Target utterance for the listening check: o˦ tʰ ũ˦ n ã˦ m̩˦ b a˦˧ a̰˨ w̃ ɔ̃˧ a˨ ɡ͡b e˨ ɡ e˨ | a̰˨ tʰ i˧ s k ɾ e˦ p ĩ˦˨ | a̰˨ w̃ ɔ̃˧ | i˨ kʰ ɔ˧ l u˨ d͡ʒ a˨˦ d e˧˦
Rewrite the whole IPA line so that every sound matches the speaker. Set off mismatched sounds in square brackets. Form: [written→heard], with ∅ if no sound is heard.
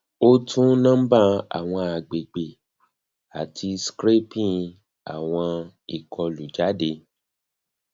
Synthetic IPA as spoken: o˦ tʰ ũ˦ n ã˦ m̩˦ b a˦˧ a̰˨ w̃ ɔ̃˧ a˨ ɡ͡b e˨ [ɡ→ɡ͡b] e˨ | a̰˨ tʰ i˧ s k ɾ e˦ p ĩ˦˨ | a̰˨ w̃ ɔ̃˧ | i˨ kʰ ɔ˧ l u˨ d͡ʒ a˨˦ d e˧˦